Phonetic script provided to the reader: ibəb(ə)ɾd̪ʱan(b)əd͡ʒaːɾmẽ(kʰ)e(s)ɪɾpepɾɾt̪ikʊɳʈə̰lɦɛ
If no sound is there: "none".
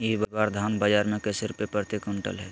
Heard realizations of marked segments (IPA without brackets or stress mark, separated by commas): a, b, k, s